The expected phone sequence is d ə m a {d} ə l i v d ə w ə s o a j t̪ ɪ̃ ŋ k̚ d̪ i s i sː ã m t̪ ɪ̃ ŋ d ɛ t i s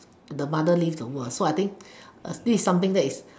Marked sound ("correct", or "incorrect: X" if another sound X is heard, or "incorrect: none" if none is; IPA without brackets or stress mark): correct